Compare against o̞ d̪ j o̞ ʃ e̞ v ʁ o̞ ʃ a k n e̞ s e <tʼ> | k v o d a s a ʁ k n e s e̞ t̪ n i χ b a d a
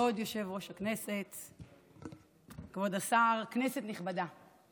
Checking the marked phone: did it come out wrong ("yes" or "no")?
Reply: yes